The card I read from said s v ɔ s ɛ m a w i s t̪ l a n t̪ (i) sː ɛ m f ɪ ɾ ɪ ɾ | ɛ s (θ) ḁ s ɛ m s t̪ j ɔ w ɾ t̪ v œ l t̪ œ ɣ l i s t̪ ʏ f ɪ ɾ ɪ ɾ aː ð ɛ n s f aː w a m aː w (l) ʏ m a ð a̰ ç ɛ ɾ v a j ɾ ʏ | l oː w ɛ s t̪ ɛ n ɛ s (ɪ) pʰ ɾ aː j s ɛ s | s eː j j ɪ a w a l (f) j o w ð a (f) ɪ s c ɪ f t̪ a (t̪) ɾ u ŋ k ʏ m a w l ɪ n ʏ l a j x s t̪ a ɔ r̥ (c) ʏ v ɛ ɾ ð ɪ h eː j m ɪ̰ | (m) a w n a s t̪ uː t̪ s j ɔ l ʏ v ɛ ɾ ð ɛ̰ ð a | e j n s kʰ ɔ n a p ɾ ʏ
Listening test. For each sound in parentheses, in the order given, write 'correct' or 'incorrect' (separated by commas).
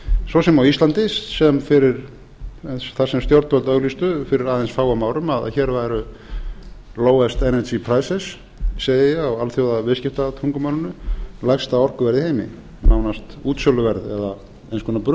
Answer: incorrect, correct, incorrect, incorrect, incorrect, incorrect, incorrect, incorrect, incorrect